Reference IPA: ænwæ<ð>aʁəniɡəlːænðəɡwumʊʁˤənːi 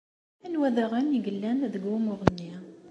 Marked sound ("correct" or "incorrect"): correct